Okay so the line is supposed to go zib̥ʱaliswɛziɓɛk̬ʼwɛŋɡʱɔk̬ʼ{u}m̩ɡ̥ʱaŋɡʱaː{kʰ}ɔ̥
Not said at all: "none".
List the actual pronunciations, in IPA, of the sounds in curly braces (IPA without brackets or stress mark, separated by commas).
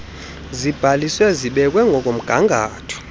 o, tʰ